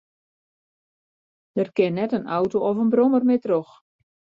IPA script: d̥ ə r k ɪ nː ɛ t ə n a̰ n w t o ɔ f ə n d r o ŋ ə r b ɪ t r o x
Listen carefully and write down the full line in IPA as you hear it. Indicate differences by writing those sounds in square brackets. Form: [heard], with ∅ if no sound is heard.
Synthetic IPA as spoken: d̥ ə r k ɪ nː ɛ t ə n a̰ [∅] w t o ɔ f ə n [b] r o [m] ə r [m] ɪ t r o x